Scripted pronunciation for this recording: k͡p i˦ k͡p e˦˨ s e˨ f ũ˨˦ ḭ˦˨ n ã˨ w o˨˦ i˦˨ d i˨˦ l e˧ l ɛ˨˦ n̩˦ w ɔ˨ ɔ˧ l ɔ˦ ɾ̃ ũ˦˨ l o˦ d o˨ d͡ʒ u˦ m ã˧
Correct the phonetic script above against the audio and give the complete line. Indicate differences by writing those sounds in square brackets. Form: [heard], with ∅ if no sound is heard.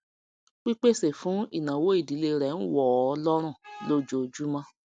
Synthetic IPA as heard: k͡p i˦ k͡p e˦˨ s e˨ f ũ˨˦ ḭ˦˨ n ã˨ w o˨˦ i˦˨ d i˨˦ l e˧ [ɾ] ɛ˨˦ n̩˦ w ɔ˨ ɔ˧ l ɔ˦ ɾ̃ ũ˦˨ l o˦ [d͡ʒ] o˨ d͡ʒ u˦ m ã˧